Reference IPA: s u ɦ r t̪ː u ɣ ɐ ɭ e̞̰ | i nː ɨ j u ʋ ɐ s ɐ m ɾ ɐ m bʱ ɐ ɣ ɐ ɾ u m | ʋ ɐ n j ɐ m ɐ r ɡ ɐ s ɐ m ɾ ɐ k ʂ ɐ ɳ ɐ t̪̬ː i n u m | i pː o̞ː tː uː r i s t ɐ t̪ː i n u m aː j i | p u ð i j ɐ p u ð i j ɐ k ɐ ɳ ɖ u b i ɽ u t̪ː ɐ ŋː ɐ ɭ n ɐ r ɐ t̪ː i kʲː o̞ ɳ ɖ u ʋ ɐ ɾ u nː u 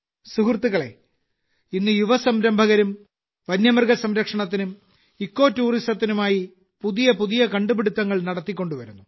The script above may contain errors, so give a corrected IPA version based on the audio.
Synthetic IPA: s u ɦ r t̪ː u ɣ ɐ ɭ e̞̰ | i nː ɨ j u ʋ ɐ s ɐ m ɾ ɐ m bʱ ɐ ɣ ɐ ɾ u m | ʋ ɐ n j ɐ m ɐ r ɡ ɐ s ɐ m ɾ ɐ k ʂ ɐ ɳ ɐ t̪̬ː i n u m | i kː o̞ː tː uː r i s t ɐ t̪ː i n u m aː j i | p u ð i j ɐ p u ð i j ɐ k ɐ ɳ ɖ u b i ɽ u t̪ː ɐ ŋː ɐ ɭ n ɐ ɽ ɐ t̪ː i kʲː o̞ ɳ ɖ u ʋ ɐ ɾ u nː u